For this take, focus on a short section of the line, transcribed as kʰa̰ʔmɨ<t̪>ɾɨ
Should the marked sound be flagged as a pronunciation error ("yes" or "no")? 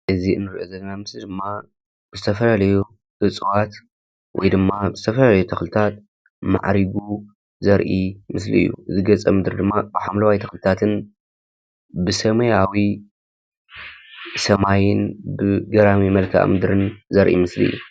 yes